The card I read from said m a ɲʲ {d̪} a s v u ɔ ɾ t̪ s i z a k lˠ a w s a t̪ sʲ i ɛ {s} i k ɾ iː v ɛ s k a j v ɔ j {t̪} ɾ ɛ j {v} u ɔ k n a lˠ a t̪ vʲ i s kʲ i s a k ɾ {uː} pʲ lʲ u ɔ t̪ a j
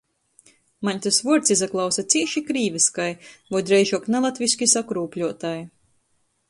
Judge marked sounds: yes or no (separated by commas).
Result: no, no, no, no, yes